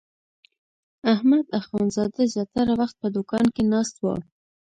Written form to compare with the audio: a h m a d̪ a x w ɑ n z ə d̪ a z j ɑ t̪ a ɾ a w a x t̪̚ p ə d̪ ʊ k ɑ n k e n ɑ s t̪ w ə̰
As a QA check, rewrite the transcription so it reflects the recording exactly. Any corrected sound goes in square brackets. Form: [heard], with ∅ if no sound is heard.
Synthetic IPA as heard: a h m a d̪ a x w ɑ n z [ɑ] d̪ a z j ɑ t̪ a ɾ a w a x t̪̚ p ə d̪ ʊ k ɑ n k e n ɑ s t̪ w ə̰